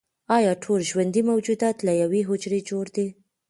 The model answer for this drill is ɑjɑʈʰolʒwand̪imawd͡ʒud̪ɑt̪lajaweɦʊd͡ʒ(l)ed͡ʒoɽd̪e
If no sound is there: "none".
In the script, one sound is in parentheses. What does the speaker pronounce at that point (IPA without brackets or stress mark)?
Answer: ɾ